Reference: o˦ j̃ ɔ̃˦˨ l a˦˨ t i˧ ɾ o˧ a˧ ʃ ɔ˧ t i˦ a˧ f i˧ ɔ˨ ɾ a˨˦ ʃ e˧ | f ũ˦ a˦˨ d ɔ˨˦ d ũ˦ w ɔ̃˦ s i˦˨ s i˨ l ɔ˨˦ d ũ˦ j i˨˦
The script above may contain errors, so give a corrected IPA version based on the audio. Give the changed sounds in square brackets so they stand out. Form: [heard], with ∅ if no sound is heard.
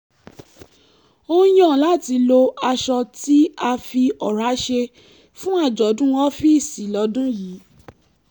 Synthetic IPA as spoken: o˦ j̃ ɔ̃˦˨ l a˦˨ t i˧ [l] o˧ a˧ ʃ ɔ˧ t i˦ a˧ f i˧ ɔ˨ ɾ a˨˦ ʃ e˧ | f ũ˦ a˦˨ [d͡ʒ] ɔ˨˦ d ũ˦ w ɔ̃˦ [f] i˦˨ s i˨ l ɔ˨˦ d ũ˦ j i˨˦